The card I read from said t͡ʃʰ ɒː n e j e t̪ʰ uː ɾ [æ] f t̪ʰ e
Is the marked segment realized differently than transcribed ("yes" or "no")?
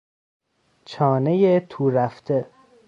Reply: no